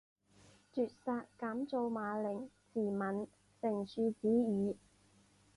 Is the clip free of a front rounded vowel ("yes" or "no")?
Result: no